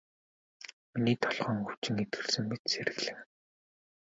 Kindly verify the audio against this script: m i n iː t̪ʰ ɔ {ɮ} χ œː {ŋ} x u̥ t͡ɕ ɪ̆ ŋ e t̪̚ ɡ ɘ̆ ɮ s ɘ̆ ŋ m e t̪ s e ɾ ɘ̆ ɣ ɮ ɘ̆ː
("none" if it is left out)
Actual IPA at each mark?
ɮ, ŋ

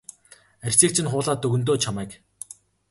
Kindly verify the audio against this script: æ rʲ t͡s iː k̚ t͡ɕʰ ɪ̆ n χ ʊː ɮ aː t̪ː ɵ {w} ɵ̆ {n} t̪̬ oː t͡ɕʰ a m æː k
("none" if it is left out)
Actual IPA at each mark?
ɣ, n

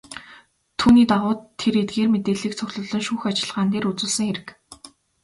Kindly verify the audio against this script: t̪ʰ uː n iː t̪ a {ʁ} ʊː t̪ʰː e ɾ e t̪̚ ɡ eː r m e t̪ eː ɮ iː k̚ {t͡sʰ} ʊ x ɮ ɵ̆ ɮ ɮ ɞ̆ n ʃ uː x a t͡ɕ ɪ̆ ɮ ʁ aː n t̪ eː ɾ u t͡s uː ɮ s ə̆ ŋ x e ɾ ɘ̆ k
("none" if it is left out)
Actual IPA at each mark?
ʁ, t͡sʰ

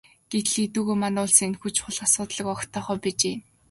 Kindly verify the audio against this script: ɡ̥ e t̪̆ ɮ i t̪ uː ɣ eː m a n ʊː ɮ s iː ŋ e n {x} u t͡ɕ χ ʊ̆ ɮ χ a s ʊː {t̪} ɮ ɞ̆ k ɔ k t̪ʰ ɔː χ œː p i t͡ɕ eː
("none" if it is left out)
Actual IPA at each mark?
x, t̪

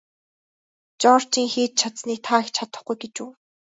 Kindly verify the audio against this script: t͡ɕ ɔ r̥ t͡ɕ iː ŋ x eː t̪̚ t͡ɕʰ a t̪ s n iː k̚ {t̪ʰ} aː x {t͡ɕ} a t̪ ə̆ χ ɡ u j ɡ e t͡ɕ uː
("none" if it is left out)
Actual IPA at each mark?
t̪ʰ, t͡ɕʰ

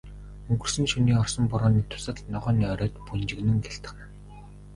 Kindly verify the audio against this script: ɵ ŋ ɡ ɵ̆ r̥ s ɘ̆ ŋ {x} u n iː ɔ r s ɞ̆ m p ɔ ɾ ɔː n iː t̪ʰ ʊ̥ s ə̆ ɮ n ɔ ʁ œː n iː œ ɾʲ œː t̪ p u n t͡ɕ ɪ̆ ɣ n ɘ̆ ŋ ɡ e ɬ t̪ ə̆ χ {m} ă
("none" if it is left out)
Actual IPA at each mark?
ʃ, n

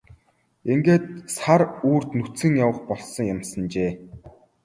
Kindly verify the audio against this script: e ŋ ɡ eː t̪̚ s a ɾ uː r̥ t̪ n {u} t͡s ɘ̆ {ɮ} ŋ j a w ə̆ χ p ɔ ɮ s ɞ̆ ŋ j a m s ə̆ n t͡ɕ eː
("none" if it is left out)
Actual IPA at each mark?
u, none

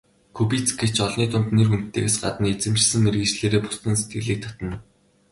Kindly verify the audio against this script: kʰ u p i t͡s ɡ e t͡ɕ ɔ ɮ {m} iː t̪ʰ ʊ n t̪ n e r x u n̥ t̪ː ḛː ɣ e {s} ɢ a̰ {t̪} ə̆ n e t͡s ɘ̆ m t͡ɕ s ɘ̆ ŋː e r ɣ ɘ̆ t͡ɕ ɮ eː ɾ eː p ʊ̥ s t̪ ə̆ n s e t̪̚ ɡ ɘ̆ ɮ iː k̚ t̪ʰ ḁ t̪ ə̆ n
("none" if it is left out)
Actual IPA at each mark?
n, s, t̪

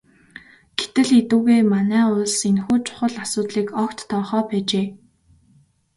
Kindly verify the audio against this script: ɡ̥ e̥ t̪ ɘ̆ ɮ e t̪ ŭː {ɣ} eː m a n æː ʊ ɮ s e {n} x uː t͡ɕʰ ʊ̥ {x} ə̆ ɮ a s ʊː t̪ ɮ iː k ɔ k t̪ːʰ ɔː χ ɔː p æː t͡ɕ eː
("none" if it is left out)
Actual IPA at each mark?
ɣ, n, χ

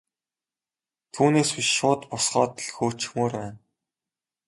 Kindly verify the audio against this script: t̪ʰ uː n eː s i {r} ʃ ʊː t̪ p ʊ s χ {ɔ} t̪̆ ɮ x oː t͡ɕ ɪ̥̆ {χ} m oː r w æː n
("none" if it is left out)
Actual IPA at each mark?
none, ɔː, x

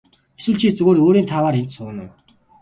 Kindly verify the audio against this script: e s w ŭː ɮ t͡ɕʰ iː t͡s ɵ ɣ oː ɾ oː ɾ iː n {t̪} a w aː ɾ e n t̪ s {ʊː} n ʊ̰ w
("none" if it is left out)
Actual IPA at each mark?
t̪ʰ, ʊː

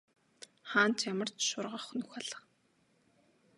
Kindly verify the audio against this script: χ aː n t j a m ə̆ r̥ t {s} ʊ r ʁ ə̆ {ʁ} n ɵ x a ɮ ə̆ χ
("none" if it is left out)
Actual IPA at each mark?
ʃ, χ

